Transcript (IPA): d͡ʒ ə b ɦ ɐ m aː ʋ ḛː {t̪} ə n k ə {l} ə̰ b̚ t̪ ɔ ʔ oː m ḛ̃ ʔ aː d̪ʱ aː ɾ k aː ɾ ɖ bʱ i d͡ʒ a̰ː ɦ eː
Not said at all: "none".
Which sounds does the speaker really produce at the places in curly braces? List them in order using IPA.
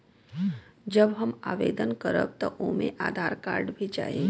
d̪, ɾ

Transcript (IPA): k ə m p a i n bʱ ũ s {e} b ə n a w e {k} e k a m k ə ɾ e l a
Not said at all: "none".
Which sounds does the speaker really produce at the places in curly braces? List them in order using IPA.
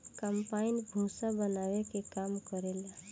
a, k

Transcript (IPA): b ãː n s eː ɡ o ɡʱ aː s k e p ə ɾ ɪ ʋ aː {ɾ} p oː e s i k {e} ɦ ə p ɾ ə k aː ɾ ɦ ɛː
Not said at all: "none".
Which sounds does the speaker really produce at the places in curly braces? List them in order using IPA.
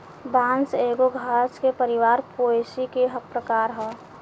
ɾ, e

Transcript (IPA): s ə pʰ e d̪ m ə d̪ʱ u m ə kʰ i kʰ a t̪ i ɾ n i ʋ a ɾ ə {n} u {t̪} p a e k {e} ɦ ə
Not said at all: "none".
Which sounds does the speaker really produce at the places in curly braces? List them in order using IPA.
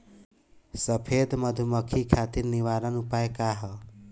n, none, a

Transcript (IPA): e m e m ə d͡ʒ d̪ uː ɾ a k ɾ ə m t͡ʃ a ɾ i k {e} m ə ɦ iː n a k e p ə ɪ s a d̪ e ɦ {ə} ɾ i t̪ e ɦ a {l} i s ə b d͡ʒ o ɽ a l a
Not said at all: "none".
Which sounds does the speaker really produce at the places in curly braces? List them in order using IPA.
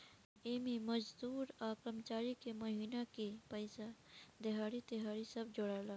e, a, ɾ

